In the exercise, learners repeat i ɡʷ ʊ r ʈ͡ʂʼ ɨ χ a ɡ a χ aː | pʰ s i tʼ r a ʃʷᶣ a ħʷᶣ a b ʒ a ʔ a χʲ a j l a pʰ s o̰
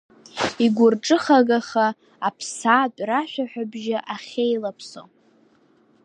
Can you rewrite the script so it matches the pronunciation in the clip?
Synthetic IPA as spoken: i ɡʷ ʊ r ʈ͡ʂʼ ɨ χ a ɡ a χ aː | pʰ s a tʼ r a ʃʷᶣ a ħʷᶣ a b ʒ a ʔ a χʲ e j l a pʰ s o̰